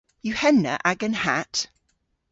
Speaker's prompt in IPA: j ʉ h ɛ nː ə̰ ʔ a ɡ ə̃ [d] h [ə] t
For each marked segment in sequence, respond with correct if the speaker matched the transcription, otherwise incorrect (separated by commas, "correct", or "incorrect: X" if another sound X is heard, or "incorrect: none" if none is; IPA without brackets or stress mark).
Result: incorrect: n, incorrect: a